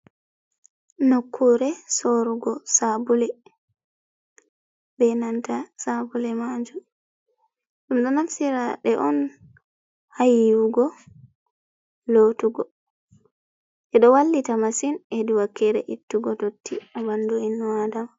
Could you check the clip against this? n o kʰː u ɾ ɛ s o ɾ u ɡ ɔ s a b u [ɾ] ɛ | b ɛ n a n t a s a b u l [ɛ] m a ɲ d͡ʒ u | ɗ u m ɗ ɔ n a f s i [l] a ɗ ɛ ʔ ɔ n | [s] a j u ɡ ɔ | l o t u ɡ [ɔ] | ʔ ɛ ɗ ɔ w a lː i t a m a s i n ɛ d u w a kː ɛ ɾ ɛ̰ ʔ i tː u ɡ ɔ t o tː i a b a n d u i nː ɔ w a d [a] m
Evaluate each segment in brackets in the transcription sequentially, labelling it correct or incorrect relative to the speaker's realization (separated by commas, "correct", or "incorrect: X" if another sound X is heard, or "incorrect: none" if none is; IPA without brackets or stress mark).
incorrect: l, correct, incorrect: ɾ, incorrect: h, correct, correct